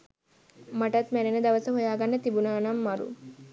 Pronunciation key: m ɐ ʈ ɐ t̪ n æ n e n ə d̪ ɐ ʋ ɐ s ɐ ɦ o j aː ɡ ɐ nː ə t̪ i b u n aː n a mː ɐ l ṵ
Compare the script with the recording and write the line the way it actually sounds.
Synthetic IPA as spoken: m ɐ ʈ ɐ t̪ m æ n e n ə d̪ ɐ ʋ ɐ s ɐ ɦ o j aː ɡ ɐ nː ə t̪ i b u n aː n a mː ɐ ɾ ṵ